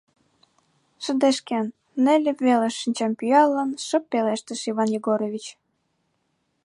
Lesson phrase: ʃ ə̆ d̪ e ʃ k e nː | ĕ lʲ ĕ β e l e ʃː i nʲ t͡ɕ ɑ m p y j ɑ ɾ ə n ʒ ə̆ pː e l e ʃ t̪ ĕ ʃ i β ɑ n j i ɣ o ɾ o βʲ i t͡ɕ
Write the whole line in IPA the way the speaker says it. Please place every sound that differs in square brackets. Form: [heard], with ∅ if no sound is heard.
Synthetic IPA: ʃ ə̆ d̪ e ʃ k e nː | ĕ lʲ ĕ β e l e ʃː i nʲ t͡ɕ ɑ m p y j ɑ [l] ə n [ʃ] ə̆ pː e l e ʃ t̪ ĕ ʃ i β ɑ n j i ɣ o ɾ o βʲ i t͡ɕ